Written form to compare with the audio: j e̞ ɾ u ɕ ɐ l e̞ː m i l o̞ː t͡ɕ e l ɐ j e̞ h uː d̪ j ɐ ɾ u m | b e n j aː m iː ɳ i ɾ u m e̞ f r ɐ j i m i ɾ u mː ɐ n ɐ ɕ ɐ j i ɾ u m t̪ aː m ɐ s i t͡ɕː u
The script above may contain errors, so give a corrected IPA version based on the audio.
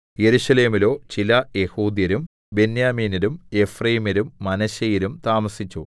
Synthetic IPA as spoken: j e̞ ɾ u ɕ ɐ l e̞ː m i l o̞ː t͡ɕ i l ɐ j e̞ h uː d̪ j ɐ ɾ u m | b e n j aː m iː n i ɾ u m e̞ f r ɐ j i m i ɾ u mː ɐ n ɐ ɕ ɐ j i ɾ u m t̪ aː m ɐ s i t͡ɕː u